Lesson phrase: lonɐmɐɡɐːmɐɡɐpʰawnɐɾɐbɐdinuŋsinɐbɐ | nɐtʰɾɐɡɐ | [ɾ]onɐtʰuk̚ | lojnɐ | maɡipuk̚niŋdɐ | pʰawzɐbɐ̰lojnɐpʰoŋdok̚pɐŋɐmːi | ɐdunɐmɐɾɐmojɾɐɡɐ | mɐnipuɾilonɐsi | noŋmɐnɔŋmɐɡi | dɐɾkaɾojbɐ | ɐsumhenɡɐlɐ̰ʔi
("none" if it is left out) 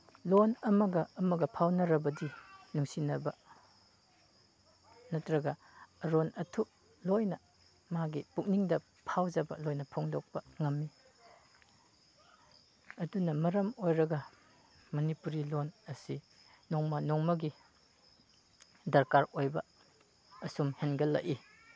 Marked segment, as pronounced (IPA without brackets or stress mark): ɾ